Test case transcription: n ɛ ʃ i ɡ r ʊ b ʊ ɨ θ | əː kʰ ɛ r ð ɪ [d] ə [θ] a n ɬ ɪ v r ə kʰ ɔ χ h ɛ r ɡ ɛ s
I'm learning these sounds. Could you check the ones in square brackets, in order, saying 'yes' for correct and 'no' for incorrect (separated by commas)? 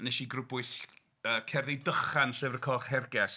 yes, no